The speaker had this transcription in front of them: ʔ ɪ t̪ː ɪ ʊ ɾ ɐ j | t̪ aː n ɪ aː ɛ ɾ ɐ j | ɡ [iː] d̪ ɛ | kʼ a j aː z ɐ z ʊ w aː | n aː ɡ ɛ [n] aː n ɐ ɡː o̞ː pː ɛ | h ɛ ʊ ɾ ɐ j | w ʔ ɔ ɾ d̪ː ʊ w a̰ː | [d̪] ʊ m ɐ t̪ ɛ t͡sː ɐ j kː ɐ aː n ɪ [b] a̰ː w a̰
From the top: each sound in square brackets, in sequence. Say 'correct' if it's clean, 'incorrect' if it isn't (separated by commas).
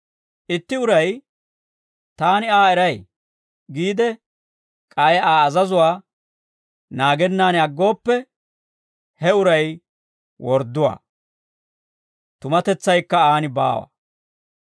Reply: correct, incorrect, incorrect, correct